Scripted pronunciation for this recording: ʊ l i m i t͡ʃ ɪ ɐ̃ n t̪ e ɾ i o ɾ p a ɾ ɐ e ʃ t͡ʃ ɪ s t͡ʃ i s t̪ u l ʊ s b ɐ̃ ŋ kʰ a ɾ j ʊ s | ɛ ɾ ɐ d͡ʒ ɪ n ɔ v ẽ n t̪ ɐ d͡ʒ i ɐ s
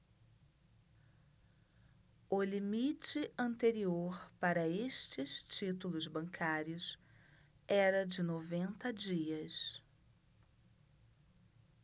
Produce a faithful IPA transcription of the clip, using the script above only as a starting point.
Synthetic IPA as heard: ʊ l i m i t͡ʃ ɪ ɐ̃ n t̪ e ɾ i o ɾ p a ɾ ɐ e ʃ t͡ʃ ɪ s t͡ʃ i t̪ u l ʊ z b ɐ̃ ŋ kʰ a ɾ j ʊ s | ɛ ɾ ɐ d͡ʒ ɪ n o v ẽ n t̪ ɐ d͡ʒ i ɐ s

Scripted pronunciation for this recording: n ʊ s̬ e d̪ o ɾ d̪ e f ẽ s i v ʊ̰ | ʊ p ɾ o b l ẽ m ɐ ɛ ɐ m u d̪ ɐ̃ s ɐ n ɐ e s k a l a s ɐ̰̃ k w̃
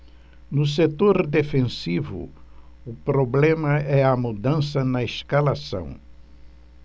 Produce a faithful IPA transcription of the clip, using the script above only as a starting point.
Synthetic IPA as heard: n ʊ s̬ e t̪ o ɾ d̪ e f ẽ s i v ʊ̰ | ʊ p ɾ o b l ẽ m ɐ ɛ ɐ m u d̪ ɐ̃ s ɐ n ɐ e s k a l a s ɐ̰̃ w̃

